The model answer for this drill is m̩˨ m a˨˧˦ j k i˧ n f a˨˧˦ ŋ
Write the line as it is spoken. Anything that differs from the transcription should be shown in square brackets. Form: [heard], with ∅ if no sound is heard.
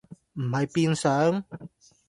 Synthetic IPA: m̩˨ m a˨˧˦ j [p] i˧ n [s] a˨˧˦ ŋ